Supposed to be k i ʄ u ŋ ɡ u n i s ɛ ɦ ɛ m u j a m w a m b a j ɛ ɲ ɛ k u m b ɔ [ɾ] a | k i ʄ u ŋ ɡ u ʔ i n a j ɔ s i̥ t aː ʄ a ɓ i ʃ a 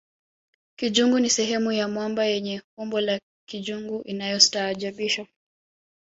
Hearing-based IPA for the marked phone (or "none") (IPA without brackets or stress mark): l